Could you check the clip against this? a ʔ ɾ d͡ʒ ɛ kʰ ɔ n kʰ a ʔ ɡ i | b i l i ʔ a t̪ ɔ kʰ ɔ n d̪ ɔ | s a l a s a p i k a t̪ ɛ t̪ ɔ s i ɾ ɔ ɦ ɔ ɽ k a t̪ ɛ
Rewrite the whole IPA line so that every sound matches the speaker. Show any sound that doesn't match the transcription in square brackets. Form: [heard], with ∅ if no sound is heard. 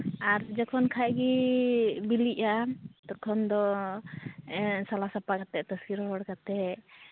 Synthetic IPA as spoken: a [∅] ɾ d͡ʒ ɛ kʰ ɔ n kʰ a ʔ ɡ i | b i l i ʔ a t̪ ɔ kʰ ɔ n d̪ ɔ | s a l a s a p [a] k a t̪ ɛ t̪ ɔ s i ɾ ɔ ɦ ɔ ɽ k a t̪ ɛ